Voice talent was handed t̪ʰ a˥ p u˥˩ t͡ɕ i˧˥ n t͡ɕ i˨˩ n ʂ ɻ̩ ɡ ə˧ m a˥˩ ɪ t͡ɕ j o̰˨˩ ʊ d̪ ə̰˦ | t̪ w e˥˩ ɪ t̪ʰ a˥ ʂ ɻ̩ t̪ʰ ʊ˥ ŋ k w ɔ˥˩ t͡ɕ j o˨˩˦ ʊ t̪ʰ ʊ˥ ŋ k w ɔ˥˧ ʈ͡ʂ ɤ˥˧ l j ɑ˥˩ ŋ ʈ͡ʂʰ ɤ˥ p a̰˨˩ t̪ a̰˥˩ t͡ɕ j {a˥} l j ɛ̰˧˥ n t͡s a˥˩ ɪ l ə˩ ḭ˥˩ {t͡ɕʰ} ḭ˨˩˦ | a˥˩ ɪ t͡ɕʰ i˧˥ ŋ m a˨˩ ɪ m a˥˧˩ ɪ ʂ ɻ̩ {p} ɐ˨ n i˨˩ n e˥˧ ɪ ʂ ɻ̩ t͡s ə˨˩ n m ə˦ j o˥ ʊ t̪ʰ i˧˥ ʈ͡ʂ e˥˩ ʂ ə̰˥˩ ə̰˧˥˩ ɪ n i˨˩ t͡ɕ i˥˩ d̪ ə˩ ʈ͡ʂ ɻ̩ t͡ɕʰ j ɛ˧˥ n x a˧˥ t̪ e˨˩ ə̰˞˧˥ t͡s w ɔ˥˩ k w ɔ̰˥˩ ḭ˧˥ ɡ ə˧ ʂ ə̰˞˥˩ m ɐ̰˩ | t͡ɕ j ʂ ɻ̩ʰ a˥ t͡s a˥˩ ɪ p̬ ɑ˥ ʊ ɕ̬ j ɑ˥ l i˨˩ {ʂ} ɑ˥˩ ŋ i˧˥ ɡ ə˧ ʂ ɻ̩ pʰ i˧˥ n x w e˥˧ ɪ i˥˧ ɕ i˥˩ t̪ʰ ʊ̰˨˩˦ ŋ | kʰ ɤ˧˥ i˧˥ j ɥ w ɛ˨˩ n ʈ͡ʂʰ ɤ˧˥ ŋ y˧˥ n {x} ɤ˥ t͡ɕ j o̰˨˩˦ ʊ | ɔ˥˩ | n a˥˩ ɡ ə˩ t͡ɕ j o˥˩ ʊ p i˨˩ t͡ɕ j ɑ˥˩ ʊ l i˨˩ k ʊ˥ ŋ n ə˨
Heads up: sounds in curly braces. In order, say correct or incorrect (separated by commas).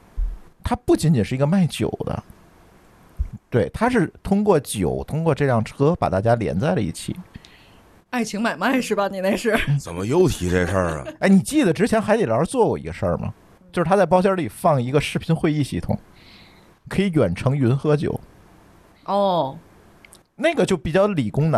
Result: correct, correct, incorrect, incorrect, correct